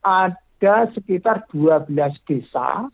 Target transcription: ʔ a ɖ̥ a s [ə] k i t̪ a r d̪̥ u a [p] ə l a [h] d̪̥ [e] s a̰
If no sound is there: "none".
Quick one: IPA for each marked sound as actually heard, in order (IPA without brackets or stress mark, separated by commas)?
ə, b, s, e